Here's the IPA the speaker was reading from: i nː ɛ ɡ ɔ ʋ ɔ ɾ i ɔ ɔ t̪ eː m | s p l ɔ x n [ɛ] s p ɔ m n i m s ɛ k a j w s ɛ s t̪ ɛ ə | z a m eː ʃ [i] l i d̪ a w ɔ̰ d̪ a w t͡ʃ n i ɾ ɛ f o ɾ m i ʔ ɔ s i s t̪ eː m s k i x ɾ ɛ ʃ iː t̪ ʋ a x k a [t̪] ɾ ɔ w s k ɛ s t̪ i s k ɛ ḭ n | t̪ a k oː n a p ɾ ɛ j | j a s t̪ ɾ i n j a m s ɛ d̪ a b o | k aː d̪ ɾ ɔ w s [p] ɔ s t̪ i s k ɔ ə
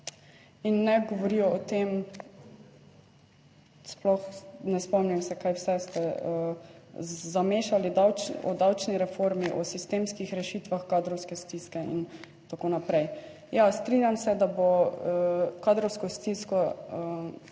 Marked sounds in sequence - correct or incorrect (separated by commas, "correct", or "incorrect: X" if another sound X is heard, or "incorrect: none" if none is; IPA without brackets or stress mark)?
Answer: correct, incorrect: a, incorrect: d̪, incorrect: k